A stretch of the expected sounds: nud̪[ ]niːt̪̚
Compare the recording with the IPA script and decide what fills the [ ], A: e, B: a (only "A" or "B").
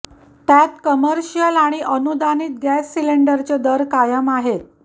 B